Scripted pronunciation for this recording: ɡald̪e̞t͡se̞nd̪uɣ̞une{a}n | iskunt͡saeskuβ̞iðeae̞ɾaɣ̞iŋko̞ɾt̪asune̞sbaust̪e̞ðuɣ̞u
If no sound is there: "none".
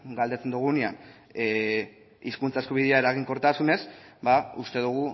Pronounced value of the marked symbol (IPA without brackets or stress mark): a